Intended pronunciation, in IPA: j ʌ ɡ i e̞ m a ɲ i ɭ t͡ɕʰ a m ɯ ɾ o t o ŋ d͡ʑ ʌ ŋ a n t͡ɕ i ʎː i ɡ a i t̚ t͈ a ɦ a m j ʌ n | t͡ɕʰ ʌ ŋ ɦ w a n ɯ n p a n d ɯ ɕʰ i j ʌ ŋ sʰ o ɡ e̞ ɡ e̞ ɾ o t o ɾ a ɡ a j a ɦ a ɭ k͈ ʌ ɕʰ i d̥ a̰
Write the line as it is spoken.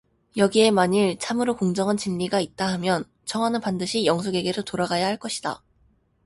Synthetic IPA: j ʌ ɡ i e̞ m a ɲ i ɭ t͡ɕʰ a m ɯ ɾ o k o ŋ d͡ʑ ʌ ŋ a n t͡ɕ i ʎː i ɡ a i t̚ t͈ a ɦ a m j ʌ n | t͡ɕʰ ʌ ŋ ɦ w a n ɯ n p a n d ɯ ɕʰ i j ʌ ŋ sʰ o ɡ e̞ ɡ e̞ ɾ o t o ɾ a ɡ a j a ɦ a ɭ k͈ ʌ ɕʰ i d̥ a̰